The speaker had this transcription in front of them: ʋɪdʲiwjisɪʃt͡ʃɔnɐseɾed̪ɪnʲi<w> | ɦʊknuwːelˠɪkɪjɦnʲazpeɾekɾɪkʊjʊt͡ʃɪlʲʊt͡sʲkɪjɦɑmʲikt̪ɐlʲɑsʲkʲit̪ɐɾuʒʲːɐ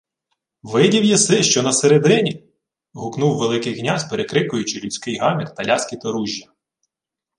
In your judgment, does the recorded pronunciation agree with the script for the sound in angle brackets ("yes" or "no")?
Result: no